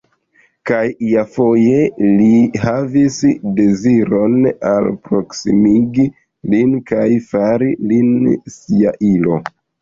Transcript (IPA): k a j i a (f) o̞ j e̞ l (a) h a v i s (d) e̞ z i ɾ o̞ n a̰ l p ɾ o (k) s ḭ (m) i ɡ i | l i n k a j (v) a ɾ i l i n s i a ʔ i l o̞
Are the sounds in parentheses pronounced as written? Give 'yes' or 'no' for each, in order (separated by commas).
yes, no, yes, yes, yes, no